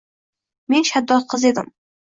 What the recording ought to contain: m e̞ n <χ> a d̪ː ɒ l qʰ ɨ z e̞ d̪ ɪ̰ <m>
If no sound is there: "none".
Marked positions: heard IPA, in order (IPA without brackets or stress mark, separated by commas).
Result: ʃ, m